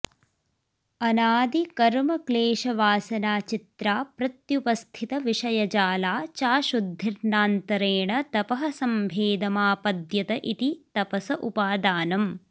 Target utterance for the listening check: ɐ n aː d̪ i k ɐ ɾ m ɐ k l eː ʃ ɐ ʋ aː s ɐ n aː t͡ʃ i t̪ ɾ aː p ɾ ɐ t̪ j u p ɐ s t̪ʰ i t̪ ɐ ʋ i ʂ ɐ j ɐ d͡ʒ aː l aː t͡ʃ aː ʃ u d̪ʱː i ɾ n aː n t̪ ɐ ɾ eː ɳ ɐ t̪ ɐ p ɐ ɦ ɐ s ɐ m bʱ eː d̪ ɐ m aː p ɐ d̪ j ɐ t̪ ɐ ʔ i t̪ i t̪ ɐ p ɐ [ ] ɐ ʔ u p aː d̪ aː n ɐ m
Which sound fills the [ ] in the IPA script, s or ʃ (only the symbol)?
s